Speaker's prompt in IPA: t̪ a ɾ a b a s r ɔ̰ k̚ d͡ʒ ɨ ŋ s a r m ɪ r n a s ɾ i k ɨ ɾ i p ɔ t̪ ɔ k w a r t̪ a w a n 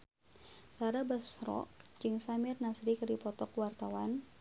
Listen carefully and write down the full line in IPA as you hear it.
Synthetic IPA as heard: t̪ a ɾ a b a s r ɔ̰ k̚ d͡ʒ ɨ ŋ s a m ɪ r n a s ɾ i k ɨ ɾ i p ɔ t̪ ɔ k w a r t̪ a w a n